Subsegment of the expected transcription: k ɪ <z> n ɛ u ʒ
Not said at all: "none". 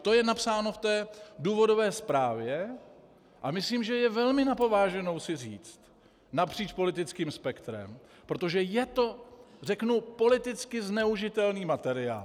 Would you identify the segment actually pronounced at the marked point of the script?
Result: z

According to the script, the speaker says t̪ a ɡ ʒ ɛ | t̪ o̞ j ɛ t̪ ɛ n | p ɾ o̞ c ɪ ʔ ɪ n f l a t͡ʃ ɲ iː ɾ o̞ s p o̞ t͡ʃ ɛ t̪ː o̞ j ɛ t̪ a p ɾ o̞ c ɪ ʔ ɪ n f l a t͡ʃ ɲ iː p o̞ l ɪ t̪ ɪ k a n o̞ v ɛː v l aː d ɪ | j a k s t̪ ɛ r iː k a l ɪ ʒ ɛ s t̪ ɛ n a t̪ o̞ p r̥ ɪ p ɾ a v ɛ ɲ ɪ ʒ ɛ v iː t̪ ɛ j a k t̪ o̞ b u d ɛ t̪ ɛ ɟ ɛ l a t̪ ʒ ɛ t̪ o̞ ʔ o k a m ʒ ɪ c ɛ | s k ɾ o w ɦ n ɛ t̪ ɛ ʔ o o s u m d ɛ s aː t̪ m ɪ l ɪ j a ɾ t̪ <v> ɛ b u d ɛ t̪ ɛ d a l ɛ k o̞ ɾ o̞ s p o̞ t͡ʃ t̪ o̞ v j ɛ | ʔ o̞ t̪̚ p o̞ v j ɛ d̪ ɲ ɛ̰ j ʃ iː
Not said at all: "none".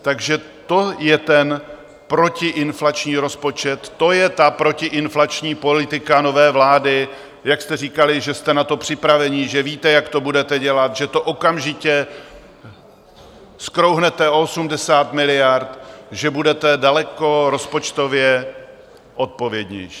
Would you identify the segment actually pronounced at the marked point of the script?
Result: ʒ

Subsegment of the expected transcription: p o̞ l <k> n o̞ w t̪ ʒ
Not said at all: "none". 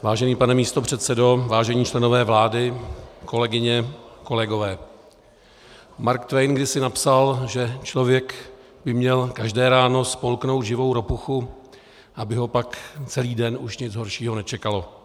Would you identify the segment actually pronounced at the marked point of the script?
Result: k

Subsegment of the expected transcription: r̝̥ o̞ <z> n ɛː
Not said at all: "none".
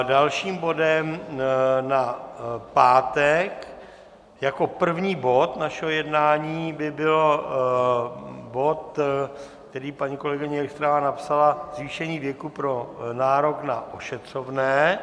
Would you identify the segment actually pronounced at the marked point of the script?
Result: v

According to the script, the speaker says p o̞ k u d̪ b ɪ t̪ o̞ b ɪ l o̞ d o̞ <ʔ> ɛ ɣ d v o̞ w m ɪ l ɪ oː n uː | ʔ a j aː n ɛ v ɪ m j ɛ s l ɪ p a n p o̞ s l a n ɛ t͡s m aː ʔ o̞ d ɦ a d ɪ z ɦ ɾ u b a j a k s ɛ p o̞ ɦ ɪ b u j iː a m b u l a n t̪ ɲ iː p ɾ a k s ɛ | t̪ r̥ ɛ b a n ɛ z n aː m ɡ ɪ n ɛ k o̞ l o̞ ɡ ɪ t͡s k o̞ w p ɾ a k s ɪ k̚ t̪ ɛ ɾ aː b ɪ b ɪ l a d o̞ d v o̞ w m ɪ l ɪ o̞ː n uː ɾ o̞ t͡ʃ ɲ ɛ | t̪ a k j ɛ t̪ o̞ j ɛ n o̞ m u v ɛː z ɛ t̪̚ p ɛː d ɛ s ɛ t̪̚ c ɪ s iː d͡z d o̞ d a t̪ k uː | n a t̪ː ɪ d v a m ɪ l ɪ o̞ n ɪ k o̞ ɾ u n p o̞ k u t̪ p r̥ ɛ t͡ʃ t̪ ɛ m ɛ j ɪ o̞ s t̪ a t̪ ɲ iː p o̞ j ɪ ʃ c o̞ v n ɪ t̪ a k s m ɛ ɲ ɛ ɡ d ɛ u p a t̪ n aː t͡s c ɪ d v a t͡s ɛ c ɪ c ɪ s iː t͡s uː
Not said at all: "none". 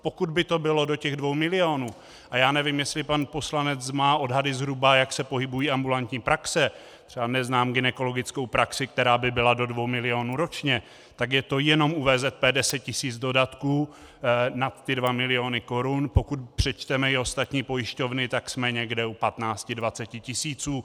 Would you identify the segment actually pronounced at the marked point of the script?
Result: c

